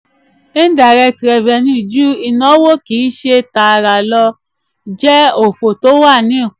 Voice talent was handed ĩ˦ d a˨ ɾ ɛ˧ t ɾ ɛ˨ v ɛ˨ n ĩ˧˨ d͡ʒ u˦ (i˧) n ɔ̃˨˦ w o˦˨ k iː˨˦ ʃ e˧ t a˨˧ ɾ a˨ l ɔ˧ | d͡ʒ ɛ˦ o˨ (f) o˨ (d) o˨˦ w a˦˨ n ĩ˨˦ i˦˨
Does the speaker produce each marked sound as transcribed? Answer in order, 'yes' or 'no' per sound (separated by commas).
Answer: yes, yes, no